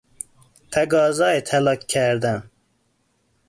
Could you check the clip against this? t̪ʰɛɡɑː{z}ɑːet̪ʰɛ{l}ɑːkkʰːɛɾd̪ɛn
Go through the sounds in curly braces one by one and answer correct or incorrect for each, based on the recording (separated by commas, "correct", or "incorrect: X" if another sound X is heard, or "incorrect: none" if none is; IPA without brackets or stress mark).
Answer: correct, correct